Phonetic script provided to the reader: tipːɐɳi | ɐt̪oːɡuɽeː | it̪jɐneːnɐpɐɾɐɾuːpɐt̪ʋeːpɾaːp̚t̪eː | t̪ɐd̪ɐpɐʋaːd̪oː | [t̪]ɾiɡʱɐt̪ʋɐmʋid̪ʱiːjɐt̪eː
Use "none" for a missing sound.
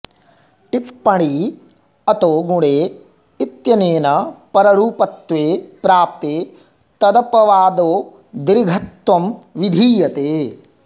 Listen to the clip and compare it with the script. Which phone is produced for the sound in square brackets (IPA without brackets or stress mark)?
d̪